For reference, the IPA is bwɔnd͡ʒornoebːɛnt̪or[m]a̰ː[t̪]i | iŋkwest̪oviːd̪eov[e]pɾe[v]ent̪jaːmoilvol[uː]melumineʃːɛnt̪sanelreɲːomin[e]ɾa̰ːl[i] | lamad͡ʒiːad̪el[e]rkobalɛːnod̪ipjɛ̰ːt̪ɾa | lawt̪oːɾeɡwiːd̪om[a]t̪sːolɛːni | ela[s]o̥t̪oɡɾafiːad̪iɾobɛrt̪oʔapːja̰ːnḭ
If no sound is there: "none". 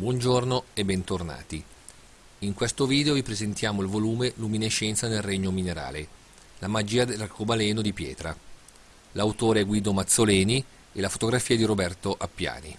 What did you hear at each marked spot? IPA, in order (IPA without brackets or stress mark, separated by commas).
n, t̪, i, z, uː, e, e, a, a, f